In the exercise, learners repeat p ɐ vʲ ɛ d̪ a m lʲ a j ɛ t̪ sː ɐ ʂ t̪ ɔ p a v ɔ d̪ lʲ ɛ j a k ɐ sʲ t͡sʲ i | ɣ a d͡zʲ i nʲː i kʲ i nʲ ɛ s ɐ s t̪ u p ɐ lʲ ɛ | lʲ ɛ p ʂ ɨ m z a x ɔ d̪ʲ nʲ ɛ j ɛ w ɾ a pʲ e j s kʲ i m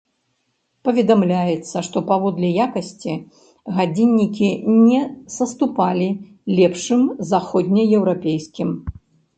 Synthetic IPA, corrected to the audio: p ɐ vʲ ɛ d̪ a m lʲ a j ɛ t̪ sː ɐ ʂ t̪ ɔ p a v ɔ d̪ lʲ ɛ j a k ɐ sʲ t͡sʲ i | ɣ a d͡zʲ i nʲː i kʲ i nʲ ɛ s ɐ s t̪ u p a lʲ i | lʲ ɛ p ʂ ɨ m z a x ɔ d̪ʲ nʲ ɛ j ɛ w ɾ a pʲ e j s kʲ i m